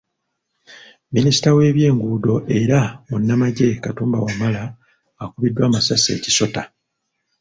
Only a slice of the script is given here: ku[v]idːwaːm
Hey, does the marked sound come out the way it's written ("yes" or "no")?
no